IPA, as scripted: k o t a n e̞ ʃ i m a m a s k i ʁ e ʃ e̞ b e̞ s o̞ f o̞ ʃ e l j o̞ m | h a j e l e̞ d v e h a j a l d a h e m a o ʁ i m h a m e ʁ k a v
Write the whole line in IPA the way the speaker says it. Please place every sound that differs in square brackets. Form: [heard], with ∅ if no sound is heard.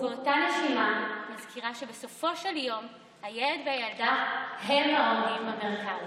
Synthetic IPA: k o t a n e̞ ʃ i m a m a [z] k i ʁ [a] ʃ e̞ b e̞ s o̞ f o̞ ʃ e l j o̞ m | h a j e l e̞ d v e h a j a l d a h e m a o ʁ i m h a m e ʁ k a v